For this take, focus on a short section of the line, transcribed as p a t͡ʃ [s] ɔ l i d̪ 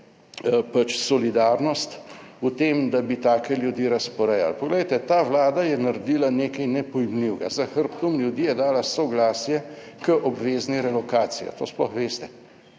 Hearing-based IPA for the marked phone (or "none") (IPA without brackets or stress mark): s